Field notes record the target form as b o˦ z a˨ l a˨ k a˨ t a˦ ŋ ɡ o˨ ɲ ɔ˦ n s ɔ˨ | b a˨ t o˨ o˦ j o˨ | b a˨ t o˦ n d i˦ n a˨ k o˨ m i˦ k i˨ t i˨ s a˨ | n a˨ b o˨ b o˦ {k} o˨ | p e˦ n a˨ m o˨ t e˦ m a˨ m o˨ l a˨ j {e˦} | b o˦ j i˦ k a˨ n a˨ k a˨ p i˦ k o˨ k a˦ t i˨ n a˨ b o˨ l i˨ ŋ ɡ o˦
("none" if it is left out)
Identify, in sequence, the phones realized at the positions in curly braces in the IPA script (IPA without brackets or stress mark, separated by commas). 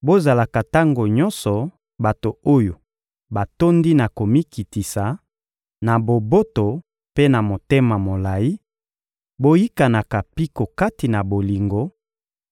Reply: t, i˦